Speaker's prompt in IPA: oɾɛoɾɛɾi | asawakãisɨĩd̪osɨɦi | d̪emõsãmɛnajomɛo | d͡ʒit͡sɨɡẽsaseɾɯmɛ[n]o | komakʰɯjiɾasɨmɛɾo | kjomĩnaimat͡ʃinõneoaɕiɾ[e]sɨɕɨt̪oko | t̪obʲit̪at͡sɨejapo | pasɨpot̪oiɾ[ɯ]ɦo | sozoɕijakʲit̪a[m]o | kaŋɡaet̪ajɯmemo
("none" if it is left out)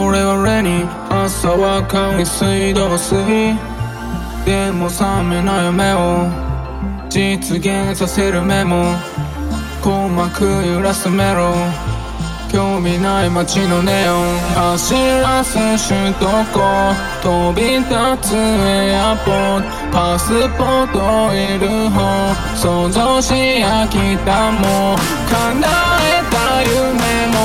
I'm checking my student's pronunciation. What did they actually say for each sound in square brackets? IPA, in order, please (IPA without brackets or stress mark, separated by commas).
m, a, ɯ, m